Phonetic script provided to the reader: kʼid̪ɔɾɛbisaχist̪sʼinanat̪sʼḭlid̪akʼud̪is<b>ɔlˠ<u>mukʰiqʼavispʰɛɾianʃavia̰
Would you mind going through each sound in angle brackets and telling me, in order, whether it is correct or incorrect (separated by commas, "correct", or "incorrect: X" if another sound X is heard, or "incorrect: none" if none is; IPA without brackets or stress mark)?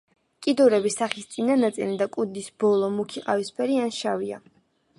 correct, incorrect: ɔ